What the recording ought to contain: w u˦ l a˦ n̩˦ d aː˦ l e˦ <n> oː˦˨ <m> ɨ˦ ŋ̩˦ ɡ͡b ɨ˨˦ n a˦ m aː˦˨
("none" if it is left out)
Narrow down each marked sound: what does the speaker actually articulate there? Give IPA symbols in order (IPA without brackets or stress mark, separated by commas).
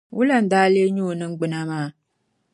ɲ, n